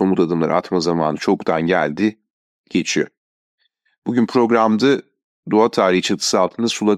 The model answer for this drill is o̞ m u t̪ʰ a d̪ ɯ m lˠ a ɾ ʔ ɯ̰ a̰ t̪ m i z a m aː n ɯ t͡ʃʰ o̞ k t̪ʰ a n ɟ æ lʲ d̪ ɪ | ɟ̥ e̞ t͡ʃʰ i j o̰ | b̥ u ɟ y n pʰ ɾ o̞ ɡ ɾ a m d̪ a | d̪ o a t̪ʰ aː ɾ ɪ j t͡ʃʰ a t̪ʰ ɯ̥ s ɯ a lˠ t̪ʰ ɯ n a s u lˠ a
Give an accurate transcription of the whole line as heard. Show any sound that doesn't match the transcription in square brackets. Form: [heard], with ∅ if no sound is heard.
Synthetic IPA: o̞ m u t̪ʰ a d̪ ɯ m lˠ a ɾ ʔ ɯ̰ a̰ t̪ m [a] z a m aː n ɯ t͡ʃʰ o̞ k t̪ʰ a n ɟ æ lʲ d̪ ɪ | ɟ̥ e̞ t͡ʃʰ i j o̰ | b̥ u ɟ y n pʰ ɾ o̞ ɡ ɾ a m d̪ a | d̪ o a t̪ʰ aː ɾ [i] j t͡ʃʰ a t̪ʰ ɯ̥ s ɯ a lˠ t̪ʰ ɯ n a s u lˠ a